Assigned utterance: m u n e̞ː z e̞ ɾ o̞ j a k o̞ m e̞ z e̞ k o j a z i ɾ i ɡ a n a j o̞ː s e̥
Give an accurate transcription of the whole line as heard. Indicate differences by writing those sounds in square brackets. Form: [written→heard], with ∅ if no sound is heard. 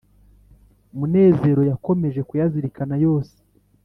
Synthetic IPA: m u n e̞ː z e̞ ɾ o̞ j a k o̞ m e̞ [z→ʒ] e̞ k [o→u] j a z i ɾ i [ɡ→k] a n a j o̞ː s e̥